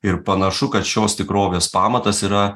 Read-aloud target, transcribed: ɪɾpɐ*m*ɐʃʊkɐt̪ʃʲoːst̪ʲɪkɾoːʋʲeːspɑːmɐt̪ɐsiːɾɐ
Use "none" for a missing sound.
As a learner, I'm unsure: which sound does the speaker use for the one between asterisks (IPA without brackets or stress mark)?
n